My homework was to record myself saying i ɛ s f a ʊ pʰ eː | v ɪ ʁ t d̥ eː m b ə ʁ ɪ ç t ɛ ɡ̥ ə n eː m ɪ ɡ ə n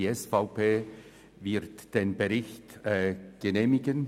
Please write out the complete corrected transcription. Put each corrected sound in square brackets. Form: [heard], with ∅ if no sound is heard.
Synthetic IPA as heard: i ɛ s f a ʊ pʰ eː | v ɪ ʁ t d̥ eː [n] b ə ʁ ɪ ç t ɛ ɡ̥ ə n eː m ɪ ɡ ə n